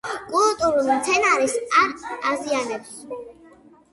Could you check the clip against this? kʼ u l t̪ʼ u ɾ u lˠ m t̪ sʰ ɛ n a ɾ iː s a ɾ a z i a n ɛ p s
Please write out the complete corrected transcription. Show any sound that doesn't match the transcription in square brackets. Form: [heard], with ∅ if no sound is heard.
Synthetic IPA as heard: kʼ u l t̪ʼ u ɾ u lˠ m t̪ sʰ ɛ n a ɾ [i] s a ɾ a z i a n ɛ p s

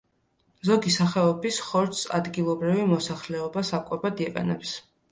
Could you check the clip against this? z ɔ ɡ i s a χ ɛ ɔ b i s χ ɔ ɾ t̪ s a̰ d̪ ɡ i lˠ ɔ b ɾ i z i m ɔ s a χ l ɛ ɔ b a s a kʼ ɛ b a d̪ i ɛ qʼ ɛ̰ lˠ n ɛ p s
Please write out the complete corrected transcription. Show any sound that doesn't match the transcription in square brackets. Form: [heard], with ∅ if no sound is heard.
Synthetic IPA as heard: z ɔ ɡ i s a χ ɛ ɔ b i s χ ɔ ɾ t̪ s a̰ d̪ ɡ i lˠ ɔ b ɾ i [v] i m ɔ s a χ l ɛ ɔ b a s a kʼ ɛ b a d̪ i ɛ qʼ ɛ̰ [∅] n ɛ p s

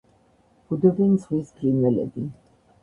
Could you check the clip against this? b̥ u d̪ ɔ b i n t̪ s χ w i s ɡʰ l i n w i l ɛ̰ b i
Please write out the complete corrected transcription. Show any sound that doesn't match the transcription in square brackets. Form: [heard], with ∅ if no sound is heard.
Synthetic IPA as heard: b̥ u d̪ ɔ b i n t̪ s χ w i s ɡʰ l i n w [ɛ] l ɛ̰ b i

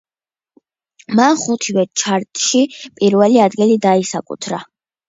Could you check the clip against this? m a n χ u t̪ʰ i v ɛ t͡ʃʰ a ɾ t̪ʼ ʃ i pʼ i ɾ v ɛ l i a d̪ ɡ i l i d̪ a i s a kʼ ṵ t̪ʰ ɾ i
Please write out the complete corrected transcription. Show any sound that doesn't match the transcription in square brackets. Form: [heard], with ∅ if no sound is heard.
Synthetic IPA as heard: m a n χ u t̪ʰ i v ɛ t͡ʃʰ a ɾ t̪ʼ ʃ i pʼ i ɾ v ɛ l i a d̪ ɡ i l i d̪ a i s a kʼ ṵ t̪ʰ ɾ [a]

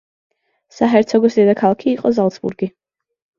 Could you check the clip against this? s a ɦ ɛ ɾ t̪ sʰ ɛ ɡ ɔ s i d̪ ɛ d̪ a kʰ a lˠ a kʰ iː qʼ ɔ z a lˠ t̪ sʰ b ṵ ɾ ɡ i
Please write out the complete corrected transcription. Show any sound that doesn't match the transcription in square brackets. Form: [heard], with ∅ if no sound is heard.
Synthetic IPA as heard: s a ɦ ɛ ɾ t̪ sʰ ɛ ɡ ɔ s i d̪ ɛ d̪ a kʰ a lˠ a kʰ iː qʼ ɔ z a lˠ t̪ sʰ b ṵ ɾ ɡ i

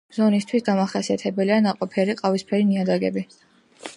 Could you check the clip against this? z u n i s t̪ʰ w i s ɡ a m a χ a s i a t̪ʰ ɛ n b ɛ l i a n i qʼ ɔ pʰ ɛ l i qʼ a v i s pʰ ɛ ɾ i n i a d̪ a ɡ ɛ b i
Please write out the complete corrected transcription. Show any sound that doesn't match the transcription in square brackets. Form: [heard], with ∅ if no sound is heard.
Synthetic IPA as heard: z [ɔ] n i s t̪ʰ w i s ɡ a m a χ a s i a t̪ʰ ɛ [∅] b ɛ l i a n [a] qʼ ɔ pʰ ɛ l i qʼ a v i s pʰ ɛ ɾ i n i a d̪ a ɡ ɛ b i

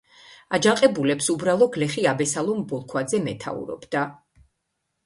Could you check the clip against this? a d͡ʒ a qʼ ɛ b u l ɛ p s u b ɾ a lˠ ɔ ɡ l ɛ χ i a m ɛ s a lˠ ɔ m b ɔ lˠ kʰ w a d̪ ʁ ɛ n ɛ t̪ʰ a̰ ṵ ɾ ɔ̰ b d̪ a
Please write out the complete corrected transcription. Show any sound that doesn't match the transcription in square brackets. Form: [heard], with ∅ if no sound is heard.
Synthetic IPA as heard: a d͡ʒ a qʼ ɛ b u l ɛ p s u b ɾ a lˠ ɔ ɡ l ɛ χ i a [b] ɛ s a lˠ ɔ m b ɔ lˠ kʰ w a d̪ [z] ɛ [m] ɛ t̪ʰ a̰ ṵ ɾ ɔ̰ b d̪ a

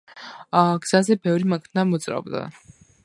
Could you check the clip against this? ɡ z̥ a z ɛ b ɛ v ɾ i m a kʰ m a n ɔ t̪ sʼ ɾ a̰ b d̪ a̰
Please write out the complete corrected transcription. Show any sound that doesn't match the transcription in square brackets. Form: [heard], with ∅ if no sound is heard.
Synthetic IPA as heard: ɡ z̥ a z ɛ b ɛ v ɾ i m a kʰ [n] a [m] ɔ t̪ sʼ ɾ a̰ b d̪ a̰

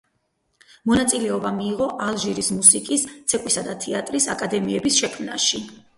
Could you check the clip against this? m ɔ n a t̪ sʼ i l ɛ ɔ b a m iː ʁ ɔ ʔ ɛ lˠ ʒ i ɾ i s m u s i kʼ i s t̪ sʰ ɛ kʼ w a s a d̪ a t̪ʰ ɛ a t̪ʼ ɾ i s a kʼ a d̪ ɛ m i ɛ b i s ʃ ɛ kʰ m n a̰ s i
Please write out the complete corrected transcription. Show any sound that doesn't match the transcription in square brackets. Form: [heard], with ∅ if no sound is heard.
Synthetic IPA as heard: m ɔ n a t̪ sʼ i l ɛ ɔ b a m iː ʁ ɔ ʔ [a] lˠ ʒ i ɾ i s m u s i kʼ i s t̪ sʰ ɛ kʼ w [i] s a d̪ a t̪ʰ ɛ a t̪ʼ ɾ i s a kʼ a d̪ ɛ m i ɛ b i s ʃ ɛ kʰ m n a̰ [ʃ] i

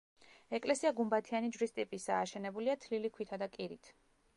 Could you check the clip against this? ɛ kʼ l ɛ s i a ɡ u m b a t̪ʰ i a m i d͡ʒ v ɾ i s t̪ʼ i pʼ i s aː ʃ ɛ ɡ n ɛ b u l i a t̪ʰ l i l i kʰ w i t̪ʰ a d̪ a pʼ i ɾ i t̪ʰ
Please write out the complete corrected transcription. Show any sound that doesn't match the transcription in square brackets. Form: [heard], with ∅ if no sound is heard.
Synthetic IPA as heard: ɛ kʼ l ɛ s i a ɡ u m b a t̪ʰ i a [n] i d͡ʒ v ɾ i s t̪ʼ i pʼ i s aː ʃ ɛ [∅] n ɛ b u l i a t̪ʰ l i l i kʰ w i t̪ʰ a d̪ a [kʼ] i ɾ i t̪ʰ

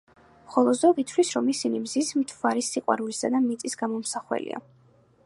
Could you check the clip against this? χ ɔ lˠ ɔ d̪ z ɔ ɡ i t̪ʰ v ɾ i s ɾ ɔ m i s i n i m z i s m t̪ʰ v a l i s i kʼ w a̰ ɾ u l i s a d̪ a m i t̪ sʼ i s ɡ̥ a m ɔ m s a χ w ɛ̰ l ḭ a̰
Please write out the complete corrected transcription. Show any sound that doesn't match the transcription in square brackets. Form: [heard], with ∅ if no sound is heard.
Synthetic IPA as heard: χ ɔ lˠ ɔ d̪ z ɔ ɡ i t̪ʰ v [l] i s ɾ ɔ m i s i n i m z i s m t̪ʰ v a [ɾ] i s i [qʼ] w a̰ ɾ u l i s a d̪ a m i t̪ sʼ i s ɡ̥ a m ɔ m s a χ w ɛ̰ l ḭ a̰

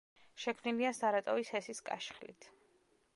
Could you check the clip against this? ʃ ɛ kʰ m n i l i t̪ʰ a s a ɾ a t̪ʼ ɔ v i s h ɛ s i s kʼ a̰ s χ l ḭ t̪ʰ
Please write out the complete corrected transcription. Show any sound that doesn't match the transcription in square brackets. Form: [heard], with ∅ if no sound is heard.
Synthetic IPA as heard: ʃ ɛ kʰ m n i l i [∅] a s a ɾ a t̪ʼ ɔ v i s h ɛ s i s kʼ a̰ [ʃ] χ l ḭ t̪ʰ

